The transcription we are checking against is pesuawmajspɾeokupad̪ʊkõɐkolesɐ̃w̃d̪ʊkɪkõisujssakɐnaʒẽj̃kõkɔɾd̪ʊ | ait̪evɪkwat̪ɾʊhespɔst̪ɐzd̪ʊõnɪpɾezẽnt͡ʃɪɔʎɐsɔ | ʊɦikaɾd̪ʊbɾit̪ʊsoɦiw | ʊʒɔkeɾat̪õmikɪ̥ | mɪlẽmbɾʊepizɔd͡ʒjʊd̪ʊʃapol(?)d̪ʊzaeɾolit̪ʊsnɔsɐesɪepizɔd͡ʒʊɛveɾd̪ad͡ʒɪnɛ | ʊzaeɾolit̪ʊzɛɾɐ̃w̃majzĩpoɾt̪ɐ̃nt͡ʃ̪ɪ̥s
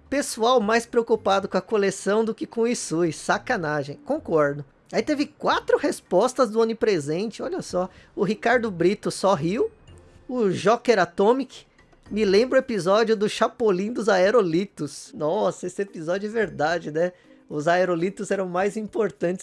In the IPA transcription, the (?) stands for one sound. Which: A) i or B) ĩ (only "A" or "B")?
B